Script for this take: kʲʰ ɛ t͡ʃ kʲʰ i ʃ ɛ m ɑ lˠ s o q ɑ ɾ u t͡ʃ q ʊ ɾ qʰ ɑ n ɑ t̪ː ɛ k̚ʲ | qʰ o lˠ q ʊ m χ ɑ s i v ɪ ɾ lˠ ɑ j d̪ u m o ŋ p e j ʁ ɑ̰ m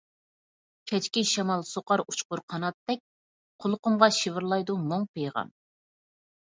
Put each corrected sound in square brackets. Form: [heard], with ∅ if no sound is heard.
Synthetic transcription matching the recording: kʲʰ ɛ t͡ʃ [kʲ] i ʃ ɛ m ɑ lˠ s o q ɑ ɾ u t͡ʃ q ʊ ɾ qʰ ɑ n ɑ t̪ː ɛ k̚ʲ | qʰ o lˠ q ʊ m [ʁ] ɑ [ʃ] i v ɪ ɾ lˠ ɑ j d̪ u m o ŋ p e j ʁ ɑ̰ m